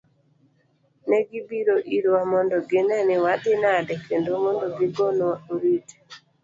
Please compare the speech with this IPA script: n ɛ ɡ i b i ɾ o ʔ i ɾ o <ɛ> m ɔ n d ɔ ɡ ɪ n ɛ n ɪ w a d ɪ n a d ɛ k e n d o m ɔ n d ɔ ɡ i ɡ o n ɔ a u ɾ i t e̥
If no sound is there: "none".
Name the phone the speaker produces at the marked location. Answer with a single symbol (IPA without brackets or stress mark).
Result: a